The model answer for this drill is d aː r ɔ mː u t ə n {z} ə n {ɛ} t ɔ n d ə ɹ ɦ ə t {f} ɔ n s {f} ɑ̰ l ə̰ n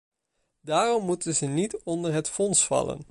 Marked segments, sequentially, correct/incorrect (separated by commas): correct, incorrect, correct, correct